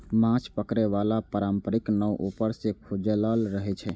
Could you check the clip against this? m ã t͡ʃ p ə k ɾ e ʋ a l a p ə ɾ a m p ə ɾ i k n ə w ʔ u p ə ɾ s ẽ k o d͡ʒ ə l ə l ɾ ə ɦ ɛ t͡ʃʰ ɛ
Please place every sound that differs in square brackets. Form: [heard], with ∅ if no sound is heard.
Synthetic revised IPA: m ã t͡ʃ p ə k ɾ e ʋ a l a p ə ɾ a m p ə ɾ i k n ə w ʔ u p ə ɾ s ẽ [kʰ] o d͡ʒ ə l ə l ɾ ə ɦ ɛ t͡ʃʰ ɛ